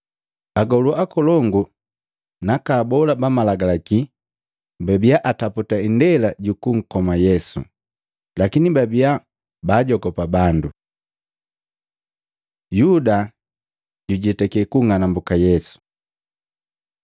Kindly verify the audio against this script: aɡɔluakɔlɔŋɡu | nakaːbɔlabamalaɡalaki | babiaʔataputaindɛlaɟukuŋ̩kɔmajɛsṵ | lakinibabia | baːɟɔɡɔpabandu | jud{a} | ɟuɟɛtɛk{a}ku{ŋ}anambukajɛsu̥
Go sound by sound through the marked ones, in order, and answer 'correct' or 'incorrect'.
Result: correct, incorrect: ɛ, correct

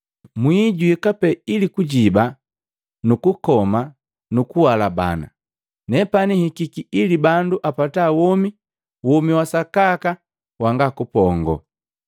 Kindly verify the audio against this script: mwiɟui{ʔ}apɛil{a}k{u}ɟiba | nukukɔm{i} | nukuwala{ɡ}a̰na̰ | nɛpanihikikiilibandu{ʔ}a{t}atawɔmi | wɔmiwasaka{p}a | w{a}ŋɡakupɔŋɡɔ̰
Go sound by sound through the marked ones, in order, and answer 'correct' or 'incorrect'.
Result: incorrect: k, incorrect: i, correct, incorrect: a, incorrect: b, correct, incorrect: p, incorrect: k, correct

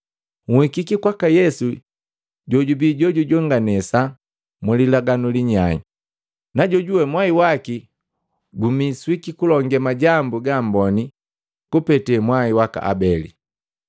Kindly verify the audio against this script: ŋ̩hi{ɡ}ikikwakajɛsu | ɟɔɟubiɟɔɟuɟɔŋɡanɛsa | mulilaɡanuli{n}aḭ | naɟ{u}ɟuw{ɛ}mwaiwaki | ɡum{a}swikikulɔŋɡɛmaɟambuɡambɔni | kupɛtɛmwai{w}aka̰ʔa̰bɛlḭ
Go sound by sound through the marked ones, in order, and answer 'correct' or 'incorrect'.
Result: incorrect: k, incorrect: ɲ, incorrect: ɔ, correct, incorrect: i, correct

